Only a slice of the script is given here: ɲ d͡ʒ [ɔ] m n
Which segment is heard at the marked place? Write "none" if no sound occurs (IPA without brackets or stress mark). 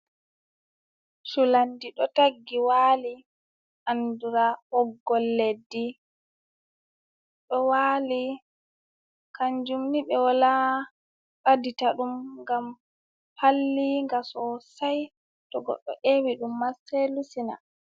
u